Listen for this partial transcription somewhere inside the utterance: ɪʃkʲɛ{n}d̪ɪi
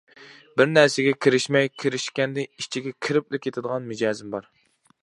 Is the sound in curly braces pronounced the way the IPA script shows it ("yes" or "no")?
yes